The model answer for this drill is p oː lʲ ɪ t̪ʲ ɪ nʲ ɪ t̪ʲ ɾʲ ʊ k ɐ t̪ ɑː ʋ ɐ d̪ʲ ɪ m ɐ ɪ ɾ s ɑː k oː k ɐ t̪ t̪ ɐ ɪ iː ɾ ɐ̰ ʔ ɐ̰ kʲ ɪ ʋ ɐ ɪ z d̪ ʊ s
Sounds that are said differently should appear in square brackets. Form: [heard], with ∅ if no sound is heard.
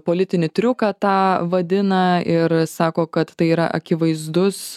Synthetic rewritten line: p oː lʲ ɪ t̪ʲ ɪ nʲ ɪ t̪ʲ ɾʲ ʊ k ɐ t̪ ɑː ʋ ɐ d̪ʲ ɪ [n] ɐ ɪ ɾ s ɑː k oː k ɐ t̪ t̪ ɐ ɪ iː ɾ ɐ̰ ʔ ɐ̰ kʲ ɪ ʋ ɐ ɪ z d̪ ʊ s